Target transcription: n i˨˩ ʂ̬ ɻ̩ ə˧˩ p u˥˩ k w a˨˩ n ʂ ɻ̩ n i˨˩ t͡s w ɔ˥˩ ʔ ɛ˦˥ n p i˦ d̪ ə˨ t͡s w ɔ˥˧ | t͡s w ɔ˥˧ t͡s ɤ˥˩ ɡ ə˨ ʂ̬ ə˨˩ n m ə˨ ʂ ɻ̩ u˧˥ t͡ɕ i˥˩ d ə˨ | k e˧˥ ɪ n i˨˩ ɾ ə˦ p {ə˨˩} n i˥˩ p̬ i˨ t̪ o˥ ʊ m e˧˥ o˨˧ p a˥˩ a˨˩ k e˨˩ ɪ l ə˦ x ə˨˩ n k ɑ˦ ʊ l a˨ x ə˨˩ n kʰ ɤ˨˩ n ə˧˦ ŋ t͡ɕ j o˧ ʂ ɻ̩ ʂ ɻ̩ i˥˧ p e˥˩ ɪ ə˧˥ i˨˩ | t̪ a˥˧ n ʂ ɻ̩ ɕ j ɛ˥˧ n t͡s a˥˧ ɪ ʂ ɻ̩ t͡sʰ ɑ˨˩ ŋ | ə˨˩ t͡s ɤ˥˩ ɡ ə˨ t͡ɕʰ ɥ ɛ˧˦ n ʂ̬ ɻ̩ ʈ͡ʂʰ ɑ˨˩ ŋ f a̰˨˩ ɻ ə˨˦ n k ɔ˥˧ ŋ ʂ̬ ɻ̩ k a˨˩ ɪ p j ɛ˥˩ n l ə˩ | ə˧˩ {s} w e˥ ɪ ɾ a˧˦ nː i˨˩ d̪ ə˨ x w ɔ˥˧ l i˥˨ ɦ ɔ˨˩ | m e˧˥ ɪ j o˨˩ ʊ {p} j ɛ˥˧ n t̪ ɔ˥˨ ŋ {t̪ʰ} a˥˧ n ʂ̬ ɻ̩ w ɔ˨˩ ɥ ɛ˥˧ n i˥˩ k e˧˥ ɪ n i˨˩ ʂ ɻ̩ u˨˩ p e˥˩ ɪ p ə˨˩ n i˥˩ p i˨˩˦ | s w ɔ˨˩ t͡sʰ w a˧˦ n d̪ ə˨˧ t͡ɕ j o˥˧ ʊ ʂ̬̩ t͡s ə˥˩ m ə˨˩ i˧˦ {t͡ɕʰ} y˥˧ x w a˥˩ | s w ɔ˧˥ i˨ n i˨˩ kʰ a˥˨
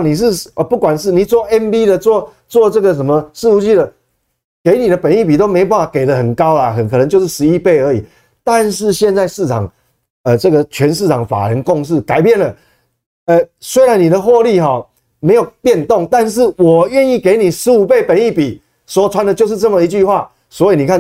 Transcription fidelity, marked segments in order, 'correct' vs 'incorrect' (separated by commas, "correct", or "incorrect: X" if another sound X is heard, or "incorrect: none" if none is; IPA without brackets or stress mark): correct, correct, correct, incorrect: t̪, incorrect: t͡ɕ